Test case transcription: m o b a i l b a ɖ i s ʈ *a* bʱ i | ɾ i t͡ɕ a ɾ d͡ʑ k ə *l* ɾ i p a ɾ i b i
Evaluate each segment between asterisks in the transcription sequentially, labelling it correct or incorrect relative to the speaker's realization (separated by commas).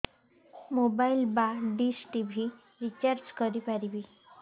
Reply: incorrect, incorrect